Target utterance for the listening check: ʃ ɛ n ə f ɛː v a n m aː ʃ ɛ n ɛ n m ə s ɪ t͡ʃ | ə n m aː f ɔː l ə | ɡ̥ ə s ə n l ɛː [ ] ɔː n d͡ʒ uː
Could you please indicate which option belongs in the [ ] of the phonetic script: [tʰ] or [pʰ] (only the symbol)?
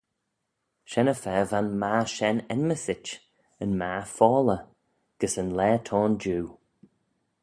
tʰ